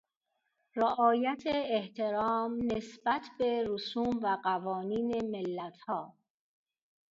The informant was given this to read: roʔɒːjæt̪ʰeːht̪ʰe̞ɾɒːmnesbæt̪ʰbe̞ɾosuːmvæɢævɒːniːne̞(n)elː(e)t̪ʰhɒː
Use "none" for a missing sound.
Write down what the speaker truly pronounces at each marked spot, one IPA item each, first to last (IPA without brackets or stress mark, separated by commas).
m, æ